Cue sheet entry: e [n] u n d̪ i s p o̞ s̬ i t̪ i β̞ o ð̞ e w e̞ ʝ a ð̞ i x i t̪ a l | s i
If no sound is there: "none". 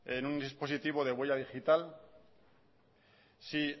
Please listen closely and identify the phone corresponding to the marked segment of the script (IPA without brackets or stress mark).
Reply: n